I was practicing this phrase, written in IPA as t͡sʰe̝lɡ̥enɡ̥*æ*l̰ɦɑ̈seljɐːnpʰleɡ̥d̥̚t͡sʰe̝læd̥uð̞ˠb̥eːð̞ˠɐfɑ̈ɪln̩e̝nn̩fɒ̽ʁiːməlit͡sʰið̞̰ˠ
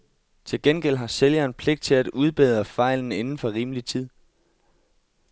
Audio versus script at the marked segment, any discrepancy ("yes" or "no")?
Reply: yes